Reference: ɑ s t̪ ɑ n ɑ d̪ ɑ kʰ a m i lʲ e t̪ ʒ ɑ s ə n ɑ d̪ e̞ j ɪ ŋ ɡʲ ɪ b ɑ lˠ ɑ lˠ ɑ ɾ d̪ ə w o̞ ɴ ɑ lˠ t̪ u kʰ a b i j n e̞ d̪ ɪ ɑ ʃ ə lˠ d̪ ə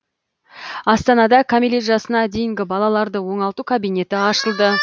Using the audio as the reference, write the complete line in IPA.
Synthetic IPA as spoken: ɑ s t̪ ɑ n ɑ d̪ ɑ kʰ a m i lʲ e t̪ ʒ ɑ s ə n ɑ d̪ e̞ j ɪ ŋ ɡʲ ɪ b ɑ lˠ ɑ lˠ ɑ ɾ d̪ ə w o̞ ɴ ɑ lˠ t̪ u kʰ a b i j n e̞ t̪ ɪ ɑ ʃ ə lˠ d̪ ə